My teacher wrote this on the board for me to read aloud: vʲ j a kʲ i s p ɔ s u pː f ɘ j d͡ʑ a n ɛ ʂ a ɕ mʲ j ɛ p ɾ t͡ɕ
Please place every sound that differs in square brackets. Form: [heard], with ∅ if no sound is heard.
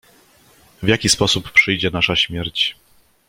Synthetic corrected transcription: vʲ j a kʲ i s p ɔ s u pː [ʂ] ɘ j d͡ʑ [ɛ] n [a] ʂ a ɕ mʲ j ɛ [∅] ɾ t͡ɕ

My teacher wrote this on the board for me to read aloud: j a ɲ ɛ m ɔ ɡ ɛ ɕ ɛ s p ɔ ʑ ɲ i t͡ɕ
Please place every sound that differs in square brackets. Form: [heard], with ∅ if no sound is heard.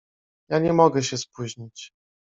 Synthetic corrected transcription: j a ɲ ɛ m ɔ ɡ ɛ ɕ ɛ s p [u] ʑ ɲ i t͡ɕ

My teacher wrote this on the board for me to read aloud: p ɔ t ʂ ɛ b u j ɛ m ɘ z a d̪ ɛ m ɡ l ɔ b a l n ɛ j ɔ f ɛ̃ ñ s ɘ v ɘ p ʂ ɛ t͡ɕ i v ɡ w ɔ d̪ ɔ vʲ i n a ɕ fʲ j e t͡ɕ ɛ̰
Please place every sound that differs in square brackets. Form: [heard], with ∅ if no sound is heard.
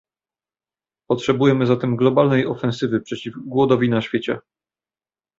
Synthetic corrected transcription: p ɔ t ʂ ɛ b u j ɛ m ɘ z a [t̪] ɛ m ɡ l ɔ b a l n ɛ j ɔ f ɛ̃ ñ s ɘ v ɘ p ʂ ɛ t͡ɕ i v ɡ w ɔ d̪ ɔ vʲ i n a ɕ fʲ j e t͡ɕ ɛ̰

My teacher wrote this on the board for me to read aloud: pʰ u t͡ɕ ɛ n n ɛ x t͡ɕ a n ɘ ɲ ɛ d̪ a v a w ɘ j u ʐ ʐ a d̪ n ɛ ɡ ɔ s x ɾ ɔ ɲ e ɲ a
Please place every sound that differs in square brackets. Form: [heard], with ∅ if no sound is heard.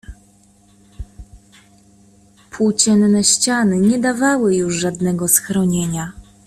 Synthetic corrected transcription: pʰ u t͡ɕ ɛ n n ɛ [ɕ] t͡ɕ a n ɘ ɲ ɛ d̪ a v a w ɘ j u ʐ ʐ a d̪ n ɛ ɡ ɔ s x ɾ ɔ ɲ e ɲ a

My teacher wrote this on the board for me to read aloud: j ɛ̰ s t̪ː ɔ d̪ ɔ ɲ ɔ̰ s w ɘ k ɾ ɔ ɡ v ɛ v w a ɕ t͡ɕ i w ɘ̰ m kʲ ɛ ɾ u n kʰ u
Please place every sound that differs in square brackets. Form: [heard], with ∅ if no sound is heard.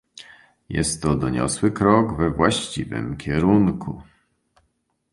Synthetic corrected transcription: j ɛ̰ s t̪ː ɔ d̪ ɔ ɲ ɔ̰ s w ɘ k ɾ ɔ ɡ v ɛ v w a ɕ t͡ɕ i [v] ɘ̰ m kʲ ɛ ɾ u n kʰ u

